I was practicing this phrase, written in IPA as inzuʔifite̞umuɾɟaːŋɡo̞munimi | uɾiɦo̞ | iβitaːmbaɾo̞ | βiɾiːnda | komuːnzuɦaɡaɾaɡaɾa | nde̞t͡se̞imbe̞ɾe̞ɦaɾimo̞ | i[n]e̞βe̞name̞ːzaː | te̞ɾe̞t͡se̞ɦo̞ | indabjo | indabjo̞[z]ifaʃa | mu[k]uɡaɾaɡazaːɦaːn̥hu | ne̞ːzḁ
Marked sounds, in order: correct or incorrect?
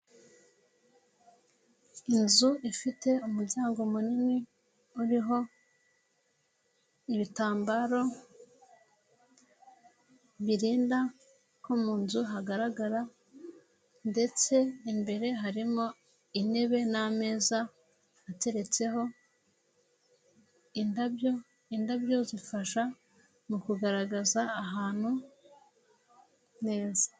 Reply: correct, correct, correct

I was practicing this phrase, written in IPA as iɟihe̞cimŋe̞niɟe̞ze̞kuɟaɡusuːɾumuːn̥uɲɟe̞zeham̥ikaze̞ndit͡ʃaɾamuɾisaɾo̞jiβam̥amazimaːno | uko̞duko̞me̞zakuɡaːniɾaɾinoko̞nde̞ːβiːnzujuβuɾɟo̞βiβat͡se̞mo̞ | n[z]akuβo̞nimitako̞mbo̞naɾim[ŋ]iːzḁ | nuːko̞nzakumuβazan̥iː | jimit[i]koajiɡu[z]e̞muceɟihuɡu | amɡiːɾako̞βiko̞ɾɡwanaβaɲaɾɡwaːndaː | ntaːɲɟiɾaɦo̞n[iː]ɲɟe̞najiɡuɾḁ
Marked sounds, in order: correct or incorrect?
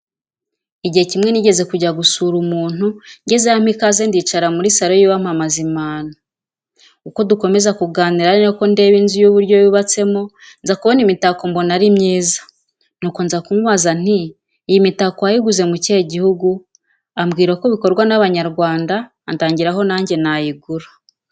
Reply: correct, incorrect: ɲ, incorrect: a, correct, incorrect: aː

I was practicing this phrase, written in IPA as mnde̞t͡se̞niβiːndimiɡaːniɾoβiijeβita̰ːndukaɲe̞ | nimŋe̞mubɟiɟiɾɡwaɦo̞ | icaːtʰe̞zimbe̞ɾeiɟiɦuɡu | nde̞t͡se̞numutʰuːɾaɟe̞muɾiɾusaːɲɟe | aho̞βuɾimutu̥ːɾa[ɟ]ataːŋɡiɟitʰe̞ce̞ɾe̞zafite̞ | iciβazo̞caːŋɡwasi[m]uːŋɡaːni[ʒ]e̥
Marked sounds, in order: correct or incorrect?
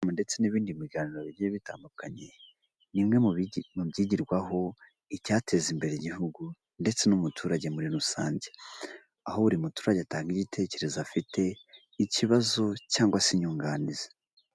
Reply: correct, incorrect: ɲ, incorrect: z

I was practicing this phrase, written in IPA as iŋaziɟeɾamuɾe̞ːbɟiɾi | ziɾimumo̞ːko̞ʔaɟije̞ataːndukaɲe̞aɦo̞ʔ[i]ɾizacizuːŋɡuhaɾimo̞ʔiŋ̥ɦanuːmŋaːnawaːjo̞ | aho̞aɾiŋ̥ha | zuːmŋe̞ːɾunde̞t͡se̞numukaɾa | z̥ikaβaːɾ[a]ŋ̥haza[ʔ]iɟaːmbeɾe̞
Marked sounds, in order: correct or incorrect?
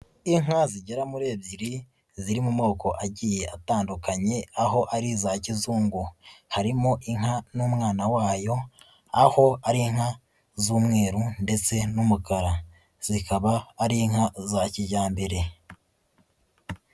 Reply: incorrect: a, incorrect: i, incorrect: c

